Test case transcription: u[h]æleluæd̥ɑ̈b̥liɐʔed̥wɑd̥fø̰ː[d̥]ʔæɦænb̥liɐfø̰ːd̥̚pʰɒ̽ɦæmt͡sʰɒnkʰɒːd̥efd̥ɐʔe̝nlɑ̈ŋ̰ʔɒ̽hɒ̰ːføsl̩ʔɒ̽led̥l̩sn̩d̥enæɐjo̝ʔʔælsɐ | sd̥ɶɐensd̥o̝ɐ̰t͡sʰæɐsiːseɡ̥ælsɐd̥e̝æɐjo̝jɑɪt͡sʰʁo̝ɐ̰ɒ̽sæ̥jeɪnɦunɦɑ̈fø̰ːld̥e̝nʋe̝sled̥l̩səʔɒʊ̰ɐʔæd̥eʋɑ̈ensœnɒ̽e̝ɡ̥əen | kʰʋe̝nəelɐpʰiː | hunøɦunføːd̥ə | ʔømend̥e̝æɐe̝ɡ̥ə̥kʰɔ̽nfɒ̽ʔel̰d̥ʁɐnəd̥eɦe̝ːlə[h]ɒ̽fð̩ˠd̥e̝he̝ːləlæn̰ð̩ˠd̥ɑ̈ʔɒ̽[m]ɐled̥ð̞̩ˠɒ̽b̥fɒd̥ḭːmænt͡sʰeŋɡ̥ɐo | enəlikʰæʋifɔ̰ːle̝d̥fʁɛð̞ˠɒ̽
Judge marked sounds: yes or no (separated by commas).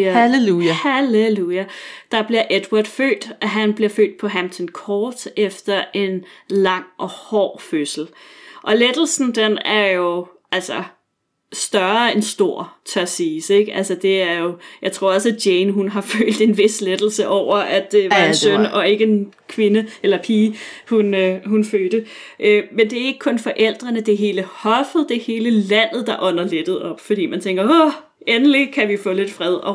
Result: yes, yes, yes, no